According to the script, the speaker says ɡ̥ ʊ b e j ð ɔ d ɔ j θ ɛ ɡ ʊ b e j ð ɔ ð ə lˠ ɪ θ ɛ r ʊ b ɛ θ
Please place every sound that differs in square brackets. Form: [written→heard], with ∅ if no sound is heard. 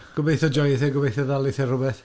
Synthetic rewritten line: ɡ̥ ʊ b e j [ð→θ] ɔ [d→d͡ʒ] ɔ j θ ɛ ɡ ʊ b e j [ð→θ] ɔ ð [ə→a] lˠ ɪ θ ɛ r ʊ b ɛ θ